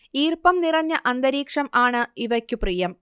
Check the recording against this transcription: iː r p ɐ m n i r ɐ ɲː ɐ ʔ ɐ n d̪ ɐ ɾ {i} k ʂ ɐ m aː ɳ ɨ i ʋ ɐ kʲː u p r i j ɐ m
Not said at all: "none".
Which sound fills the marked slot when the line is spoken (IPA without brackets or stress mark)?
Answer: iː